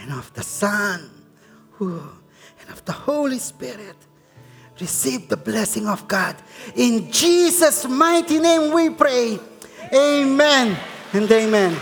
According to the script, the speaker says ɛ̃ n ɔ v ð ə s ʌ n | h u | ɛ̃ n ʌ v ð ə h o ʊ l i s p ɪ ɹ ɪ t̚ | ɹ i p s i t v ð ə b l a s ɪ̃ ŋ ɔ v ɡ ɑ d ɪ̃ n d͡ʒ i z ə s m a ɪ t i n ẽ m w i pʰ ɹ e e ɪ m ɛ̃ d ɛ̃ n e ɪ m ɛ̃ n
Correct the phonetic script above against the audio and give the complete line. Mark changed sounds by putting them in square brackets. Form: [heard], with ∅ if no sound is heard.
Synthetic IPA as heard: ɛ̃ n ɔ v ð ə s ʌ n | h u | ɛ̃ n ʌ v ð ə h o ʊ l i s p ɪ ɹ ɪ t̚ | ɹ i [∅] s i [∅] v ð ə b l [ɛ] s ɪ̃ ŋ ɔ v ɡ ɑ d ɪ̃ n d͡ʒ i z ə s m a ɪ t i n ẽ m w i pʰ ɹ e e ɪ m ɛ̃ [n] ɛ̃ n e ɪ m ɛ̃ n